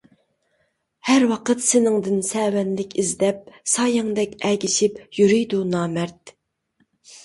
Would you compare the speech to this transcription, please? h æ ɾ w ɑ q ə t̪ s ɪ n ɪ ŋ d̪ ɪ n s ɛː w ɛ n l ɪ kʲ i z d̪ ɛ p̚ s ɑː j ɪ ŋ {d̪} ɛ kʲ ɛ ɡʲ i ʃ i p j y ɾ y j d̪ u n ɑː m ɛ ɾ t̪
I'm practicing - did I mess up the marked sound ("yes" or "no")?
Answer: no